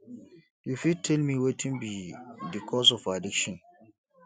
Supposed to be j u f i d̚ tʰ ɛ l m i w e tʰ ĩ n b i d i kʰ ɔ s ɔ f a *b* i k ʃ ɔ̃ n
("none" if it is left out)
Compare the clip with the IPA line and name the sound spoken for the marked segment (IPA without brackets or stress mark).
d